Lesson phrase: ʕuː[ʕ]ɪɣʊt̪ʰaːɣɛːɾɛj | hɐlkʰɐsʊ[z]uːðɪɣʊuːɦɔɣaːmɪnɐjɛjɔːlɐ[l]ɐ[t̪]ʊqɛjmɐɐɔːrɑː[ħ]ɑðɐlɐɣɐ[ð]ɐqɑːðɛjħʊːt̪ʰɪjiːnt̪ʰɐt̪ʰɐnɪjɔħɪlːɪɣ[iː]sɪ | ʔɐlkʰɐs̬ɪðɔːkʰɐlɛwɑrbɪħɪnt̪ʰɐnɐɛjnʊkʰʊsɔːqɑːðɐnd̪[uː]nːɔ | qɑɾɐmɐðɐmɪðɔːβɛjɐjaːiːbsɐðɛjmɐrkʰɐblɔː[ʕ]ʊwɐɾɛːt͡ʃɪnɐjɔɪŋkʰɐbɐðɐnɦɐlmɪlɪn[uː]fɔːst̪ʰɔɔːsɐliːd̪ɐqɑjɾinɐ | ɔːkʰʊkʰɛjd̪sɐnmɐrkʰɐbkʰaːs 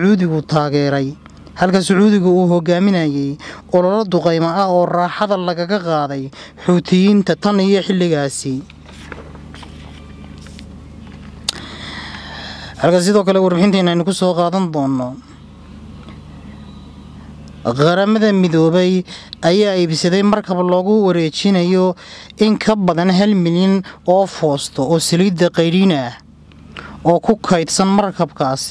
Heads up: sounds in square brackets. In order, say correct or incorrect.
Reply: incorrect, incorrect, correct, incorrect, correct, incorrect, incorrect, incorrect, incorrect, incorrect

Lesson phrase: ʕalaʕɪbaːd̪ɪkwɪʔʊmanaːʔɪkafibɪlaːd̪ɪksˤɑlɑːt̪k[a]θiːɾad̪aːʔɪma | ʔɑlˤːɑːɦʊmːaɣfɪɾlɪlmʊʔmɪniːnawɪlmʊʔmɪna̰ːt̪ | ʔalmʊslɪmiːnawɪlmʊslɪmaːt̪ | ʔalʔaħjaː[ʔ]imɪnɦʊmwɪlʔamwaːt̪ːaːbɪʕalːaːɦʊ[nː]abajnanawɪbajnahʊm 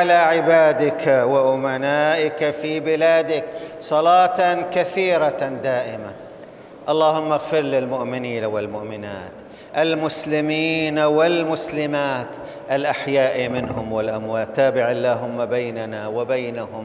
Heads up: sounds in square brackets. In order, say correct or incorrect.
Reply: correct, correct, incorrect

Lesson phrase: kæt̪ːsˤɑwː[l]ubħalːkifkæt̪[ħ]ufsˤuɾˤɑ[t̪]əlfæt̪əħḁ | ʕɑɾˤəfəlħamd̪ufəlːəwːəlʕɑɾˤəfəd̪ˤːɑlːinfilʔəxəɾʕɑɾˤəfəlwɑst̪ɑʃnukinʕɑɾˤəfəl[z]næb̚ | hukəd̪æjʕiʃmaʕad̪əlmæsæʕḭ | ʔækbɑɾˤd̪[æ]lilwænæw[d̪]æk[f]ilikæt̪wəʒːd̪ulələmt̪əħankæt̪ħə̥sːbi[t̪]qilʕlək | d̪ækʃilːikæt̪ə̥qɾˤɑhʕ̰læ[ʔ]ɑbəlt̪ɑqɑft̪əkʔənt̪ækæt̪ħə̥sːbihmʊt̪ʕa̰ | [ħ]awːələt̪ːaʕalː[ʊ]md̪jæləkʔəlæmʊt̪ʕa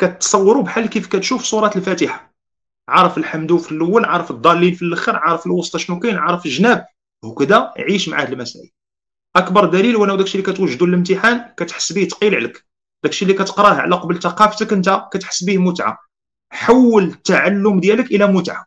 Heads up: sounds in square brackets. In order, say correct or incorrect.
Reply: incorrect, incorrect, correct, incorrect, correct, correct, incorrect, correct, incorrect, correct, correct

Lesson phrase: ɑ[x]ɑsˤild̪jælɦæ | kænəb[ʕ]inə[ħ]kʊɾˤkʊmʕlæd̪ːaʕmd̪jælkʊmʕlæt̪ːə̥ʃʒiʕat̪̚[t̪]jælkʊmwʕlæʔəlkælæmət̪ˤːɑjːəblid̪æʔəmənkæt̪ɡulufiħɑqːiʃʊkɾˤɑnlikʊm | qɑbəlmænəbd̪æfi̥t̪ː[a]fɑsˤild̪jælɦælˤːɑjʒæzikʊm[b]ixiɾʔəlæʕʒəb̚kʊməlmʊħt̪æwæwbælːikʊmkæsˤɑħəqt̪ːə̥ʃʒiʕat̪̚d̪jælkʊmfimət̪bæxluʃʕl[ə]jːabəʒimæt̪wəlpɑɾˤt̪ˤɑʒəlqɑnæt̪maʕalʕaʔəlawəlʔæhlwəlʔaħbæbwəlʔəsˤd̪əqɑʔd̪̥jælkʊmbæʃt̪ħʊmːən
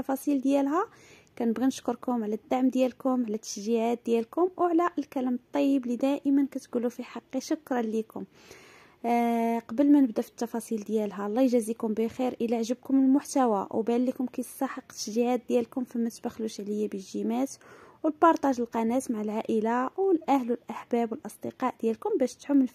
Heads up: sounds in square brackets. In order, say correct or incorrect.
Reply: incorrect, incorrect, incorrect, incorrect, incorrect, correct, correct

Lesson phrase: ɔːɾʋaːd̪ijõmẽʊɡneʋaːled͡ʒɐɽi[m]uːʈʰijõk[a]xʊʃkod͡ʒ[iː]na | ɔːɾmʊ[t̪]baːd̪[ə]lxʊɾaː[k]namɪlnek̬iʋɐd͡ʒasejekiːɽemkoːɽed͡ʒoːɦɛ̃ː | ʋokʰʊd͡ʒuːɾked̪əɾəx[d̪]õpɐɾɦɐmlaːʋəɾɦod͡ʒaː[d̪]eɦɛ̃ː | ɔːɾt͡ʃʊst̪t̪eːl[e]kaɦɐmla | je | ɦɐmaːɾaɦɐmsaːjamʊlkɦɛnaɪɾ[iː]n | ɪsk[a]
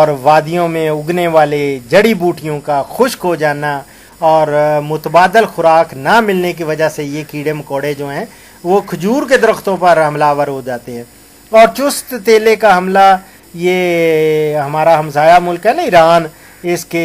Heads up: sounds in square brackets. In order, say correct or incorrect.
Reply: incorrect, correct, incorrect, correct, correct, correct, incorrect, incorrect, correct, incorrect, incorrect

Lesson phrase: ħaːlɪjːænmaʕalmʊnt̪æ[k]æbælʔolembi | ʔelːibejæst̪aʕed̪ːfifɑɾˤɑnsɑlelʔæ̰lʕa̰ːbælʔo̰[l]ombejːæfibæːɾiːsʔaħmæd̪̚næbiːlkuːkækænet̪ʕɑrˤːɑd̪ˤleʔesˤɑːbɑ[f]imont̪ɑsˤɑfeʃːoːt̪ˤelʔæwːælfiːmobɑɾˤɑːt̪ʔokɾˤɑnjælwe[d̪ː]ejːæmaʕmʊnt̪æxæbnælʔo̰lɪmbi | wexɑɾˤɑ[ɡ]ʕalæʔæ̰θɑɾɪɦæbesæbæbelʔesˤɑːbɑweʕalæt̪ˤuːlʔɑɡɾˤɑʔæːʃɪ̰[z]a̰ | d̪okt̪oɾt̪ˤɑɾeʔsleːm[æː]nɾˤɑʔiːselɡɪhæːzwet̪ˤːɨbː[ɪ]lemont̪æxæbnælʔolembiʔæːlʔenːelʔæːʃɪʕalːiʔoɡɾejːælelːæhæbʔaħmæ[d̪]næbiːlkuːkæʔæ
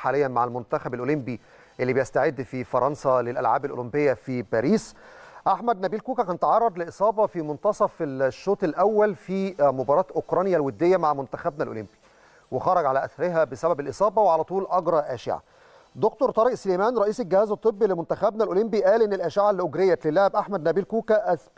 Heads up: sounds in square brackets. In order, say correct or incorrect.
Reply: incorrect, correct, correct, correct, correct, incorrect, correct, incorrect, correct

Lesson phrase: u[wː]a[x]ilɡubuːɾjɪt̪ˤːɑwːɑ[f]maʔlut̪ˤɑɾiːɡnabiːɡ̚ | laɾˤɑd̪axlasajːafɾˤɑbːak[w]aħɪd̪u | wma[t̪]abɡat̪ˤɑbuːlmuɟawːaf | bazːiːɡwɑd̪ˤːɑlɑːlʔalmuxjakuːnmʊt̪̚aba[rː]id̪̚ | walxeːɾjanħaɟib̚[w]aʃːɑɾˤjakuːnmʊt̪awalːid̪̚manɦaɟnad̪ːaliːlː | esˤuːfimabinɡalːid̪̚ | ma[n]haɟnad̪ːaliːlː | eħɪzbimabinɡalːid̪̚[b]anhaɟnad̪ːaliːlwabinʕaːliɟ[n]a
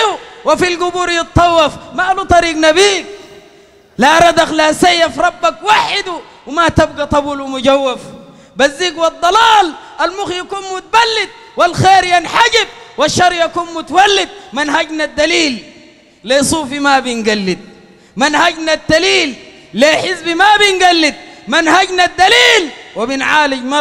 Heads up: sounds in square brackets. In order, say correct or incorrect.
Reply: incorrect, incorrect, correct, correct, correct, incorrect, correct, correct, incorrect, incorrect

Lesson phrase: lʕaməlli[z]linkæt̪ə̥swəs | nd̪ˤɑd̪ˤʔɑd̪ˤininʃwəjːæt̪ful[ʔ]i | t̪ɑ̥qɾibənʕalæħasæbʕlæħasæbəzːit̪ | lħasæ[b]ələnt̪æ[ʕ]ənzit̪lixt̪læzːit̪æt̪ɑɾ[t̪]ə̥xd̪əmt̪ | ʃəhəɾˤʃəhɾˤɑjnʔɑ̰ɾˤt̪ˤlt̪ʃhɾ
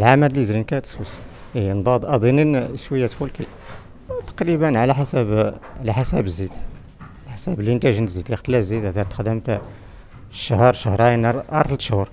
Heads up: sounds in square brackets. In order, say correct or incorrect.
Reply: correct, incorrect, correct, incorrect, correct

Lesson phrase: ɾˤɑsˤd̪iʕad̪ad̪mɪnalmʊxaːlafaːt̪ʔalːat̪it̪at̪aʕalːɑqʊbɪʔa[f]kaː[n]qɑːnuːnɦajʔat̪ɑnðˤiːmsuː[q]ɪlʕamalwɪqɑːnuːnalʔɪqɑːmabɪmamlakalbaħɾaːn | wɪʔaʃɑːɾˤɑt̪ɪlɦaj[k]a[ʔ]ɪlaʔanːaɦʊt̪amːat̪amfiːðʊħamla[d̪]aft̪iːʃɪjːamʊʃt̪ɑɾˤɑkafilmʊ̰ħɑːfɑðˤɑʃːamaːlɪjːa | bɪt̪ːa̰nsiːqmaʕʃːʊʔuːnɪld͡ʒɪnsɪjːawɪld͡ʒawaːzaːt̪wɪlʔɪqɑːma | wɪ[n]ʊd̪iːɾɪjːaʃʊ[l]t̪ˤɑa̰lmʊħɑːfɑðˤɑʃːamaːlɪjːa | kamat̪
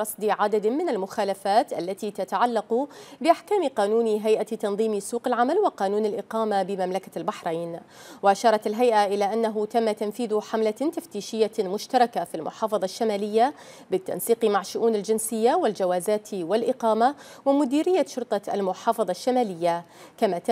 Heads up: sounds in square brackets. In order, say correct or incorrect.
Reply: incorrect, incorrect, correct, incorrect, correct, incorrect, incorrect, incorrect

